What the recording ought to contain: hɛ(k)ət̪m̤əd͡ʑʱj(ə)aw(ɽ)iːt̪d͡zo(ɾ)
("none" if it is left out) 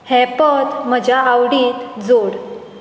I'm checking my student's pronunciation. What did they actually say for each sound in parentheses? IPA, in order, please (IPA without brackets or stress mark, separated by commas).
p, a, ɽ, ɽ